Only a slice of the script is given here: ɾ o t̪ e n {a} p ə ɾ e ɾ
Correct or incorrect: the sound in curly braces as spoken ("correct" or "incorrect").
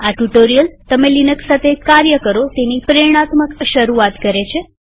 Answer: incorrect